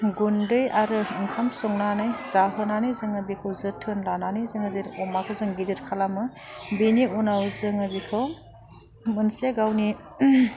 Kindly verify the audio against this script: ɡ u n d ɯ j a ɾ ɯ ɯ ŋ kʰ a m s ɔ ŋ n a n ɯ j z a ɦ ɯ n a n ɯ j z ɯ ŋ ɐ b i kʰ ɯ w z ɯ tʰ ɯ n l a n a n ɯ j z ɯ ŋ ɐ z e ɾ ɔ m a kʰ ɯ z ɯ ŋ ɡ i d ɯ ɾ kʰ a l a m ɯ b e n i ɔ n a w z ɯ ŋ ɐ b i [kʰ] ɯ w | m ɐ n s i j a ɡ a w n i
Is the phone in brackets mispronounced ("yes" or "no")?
no